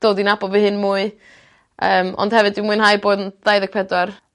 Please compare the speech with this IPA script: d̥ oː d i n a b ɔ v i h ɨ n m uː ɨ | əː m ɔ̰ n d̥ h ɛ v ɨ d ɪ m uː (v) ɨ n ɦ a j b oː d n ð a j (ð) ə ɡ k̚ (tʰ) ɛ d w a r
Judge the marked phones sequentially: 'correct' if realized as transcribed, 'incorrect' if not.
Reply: incorrect: none, correct, incorrect: pʰ

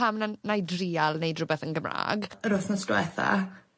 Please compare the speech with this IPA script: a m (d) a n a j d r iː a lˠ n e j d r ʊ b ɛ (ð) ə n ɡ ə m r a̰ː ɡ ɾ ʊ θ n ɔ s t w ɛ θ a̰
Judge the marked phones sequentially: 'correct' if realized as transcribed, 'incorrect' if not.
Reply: incorrect: n, incorrect: θ

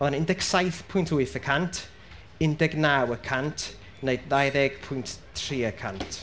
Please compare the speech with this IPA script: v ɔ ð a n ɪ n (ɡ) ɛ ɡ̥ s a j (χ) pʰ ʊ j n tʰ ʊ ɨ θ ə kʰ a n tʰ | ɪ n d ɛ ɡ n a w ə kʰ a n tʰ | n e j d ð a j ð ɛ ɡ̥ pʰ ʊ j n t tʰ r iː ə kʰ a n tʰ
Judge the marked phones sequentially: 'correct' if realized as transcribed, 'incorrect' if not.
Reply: incorrect: d, incorrect: θ

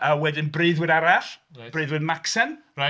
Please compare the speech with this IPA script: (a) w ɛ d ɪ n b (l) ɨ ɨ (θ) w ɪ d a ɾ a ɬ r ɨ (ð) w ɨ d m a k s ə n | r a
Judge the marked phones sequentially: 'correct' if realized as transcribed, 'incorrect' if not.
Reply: incorrect: ə, incorrect: r, incorrect: ð, correct

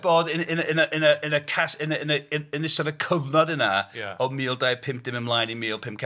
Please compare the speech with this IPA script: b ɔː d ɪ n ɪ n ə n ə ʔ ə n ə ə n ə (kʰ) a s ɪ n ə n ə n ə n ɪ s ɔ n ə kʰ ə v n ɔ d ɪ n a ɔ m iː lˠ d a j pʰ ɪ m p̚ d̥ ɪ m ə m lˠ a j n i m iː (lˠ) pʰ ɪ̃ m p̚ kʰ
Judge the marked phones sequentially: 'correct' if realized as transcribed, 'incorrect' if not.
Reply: correct, correct

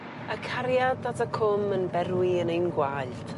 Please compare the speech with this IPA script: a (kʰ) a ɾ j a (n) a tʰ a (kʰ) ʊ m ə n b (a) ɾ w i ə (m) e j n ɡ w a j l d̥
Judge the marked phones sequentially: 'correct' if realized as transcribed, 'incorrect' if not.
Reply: correct, incorrect: d, correct, incorrect: ɛ, incorrect: n

